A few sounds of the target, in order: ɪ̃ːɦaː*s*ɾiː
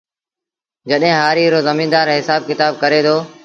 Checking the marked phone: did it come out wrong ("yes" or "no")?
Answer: yes